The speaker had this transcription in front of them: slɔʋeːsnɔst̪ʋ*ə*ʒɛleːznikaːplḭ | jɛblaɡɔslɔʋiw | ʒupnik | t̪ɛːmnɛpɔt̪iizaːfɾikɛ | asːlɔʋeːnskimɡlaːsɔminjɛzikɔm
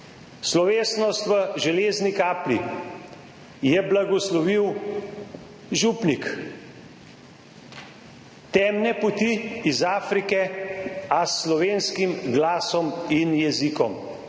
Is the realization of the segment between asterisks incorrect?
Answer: no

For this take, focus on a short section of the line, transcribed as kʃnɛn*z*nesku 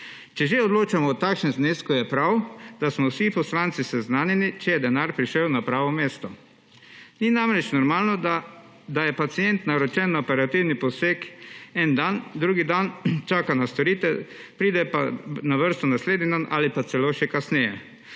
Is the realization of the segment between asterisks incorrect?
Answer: no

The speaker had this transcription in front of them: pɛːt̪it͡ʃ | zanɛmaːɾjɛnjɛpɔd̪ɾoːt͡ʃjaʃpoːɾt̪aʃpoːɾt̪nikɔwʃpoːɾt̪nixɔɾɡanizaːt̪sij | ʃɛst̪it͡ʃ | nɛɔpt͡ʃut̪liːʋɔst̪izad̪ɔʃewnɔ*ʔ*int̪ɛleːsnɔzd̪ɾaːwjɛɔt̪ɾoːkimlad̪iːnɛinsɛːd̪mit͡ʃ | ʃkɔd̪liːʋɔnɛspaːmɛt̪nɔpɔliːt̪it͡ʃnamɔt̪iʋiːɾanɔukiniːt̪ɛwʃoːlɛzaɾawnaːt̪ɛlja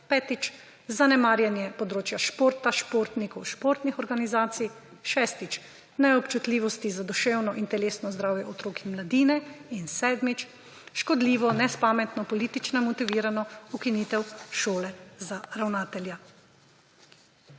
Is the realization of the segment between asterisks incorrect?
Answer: no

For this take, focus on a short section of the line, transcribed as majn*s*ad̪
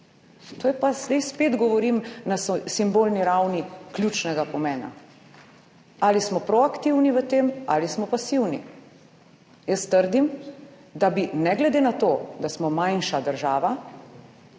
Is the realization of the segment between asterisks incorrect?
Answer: yes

